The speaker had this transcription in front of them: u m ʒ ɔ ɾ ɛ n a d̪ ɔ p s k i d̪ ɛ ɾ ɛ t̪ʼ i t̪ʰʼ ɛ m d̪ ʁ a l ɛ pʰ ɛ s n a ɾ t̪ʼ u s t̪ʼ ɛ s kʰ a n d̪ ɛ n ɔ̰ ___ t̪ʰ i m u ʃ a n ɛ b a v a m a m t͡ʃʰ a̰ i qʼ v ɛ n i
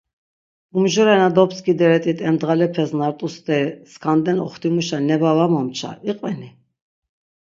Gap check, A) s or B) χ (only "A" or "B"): B